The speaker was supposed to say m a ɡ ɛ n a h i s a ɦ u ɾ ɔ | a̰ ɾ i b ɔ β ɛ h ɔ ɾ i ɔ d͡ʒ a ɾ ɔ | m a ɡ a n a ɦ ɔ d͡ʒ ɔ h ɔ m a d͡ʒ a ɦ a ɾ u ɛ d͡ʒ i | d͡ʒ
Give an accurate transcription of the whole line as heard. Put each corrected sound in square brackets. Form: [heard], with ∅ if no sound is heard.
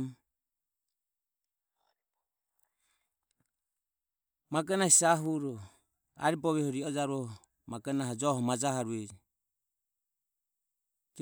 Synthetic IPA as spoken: m a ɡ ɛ n a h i s a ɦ u ɾ ɔ | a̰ ɾ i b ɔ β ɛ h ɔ ɾ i ɔ d͡ʒ a ɾ ɔ | m a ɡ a n a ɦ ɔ d͡ʒ ɔ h ɔ m a d͡ʒ a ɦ a ɾ u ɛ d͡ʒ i | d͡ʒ